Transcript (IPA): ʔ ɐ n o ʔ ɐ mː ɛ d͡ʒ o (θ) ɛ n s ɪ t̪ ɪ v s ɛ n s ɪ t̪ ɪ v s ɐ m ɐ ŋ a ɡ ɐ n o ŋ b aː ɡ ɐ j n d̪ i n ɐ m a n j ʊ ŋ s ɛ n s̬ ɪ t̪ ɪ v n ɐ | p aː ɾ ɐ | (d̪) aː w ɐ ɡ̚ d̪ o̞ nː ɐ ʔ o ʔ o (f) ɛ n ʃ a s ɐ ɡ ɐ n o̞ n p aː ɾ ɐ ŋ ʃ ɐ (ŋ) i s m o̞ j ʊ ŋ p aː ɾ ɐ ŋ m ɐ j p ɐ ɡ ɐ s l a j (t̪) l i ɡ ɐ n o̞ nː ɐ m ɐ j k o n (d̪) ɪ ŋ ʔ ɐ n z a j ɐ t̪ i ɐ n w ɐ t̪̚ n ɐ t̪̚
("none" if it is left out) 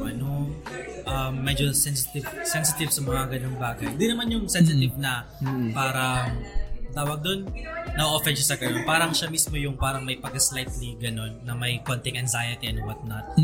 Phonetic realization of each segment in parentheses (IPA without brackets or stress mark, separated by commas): s, t̪, f, m, t̪, t̪